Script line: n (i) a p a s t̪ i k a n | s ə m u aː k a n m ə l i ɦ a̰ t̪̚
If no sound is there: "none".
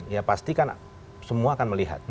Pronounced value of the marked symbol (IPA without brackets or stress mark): j